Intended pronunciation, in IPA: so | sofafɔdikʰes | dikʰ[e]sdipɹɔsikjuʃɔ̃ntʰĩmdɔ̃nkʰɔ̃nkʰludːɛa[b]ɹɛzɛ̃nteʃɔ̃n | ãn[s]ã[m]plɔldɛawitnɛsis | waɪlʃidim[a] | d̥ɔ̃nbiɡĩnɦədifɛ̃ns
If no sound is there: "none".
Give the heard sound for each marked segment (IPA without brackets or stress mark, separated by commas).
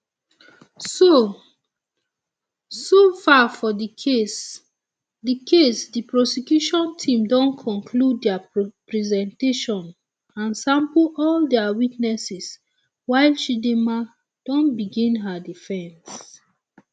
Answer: e, p, s, m, a